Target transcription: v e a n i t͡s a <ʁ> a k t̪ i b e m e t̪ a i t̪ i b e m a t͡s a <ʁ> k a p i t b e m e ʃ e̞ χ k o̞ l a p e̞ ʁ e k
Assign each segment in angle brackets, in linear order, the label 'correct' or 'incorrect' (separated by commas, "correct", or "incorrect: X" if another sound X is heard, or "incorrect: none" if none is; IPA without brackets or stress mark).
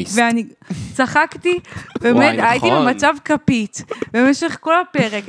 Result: incorrect: χ, incorrect: v